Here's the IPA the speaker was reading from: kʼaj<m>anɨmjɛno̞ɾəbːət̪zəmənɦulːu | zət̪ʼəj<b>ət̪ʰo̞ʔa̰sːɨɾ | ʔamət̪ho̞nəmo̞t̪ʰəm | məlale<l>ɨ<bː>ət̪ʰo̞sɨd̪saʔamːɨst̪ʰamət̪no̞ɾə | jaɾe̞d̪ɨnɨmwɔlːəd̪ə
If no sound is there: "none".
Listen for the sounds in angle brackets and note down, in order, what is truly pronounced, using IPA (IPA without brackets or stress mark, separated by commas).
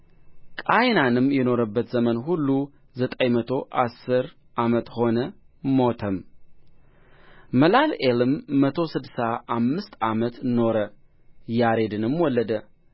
n, m, l, mː